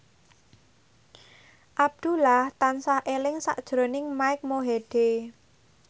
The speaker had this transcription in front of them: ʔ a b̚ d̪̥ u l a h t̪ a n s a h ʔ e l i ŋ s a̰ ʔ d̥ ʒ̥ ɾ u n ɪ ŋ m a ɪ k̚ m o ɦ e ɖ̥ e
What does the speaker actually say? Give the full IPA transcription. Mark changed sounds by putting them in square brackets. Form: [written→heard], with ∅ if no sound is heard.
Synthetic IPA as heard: ʔ a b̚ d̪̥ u l a h t̪ a n s a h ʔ e l [i→ɪ] ŋ s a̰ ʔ d̥ ʒ̥ ɾ [u→o] n ɪ ŋ m a ɪ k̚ m o ɦ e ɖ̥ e